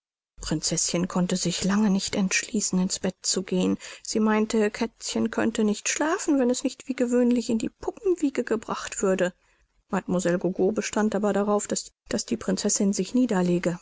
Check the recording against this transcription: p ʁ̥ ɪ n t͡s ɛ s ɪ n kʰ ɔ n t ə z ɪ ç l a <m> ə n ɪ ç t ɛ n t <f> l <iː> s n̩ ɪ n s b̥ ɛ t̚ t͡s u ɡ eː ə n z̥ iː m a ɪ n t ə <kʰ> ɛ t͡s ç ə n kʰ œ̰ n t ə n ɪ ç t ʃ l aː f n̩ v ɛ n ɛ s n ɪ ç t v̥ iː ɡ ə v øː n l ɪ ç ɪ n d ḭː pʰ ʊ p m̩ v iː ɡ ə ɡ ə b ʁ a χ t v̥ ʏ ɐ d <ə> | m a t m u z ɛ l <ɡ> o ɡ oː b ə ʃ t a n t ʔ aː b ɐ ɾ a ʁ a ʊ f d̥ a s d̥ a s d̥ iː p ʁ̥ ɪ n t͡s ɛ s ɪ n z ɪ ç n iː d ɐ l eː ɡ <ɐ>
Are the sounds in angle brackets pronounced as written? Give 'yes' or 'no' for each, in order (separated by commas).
no, no, yes, yes, yes, yes, no